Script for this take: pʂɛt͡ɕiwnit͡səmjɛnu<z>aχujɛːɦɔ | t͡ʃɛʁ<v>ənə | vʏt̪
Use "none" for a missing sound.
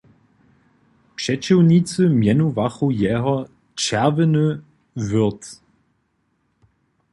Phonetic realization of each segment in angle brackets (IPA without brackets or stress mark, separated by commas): v, v